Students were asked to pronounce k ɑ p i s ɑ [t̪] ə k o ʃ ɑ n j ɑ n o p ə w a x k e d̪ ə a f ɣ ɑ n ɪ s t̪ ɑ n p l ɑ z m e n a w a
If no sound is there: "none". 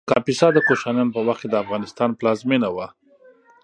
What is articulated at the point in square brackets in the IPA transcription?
d̪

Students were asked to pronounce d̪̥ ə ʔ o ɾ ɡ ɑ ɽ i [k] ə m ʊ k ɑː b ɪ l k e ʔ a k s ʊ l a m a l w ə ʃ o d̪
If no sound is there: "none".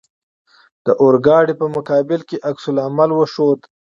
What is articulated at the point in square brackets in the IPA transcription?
p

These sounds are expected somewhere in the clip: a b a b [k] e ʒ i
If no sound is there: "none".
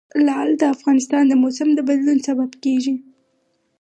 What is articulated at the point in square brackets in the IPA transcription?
k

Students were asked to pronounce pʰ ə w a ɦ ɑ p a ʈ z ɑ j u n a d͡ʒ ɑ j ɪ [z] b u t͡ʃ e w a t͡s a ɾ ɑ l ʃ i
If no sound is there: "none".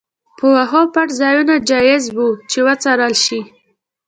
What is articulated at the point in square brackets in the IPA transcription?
z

